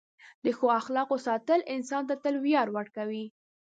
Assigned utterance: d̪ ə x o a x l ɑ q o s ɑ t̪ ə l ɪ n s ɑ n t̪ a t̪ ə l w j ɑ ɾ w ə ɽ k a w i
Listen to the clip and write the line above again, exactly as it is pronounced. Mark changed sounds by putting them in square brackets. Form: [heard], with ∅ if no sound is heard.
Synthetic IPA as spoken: d̪ ə x o a x l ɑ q o s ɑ t̪ ə l ɪ n s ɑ n t̪ a t̪ ə l w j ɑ ɾ w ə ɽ k a w i